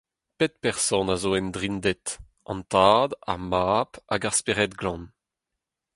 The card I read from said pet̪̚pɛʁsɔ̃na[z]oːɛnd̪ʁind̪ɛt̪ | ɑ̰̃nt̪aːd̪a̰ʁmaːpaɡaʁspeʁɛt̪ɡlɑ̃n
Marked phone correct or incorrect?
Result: correct